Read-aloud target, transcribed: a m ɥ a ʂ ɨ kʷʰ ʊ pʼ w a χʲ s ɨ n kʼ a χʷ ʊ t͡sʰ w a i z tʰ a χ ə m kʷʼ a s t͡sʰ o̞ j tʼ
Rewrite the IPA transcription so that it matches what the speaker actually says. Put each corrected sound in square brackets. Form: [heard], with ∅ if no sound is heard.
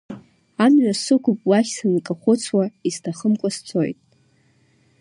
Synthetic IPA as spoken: a m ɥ a [s] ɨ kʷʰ ʊ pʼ w a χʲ s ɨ n kʼ a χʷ ʊ t͡sʰ w a i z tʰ a χ ə m kʷʼ a s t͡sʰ o̞ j tʼ